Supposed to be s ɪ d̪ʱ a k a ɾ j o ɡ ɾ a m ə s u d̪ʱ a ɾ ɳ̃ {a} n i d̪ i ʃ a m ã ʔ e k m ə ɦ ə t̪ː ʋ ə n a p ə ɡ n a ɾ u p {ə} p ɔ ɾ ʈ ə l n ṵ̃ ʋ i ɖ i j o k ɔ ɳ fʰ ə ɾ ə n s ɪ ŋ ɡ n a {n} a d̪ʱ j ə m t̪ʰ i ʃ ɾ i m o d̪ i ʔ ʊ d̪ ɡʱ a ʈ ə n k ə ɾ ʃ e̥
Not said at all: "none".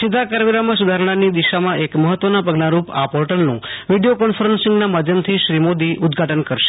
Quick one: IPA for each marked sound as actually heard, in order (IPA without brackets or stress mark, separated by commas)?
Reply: a, a, m